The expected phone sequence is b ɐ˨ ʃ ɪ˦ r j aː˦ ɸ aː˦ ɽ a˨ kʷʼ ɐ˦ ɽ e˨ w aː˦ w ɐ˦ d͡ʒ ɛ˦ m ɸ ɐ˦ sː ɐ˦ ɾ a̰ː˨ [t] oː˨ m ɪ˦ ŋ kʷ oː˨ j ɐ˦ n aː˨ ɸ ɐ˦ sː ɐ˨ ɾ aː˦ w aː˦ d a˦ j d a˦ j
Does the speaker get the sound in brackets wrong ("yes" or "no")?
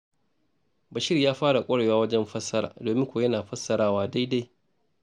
yes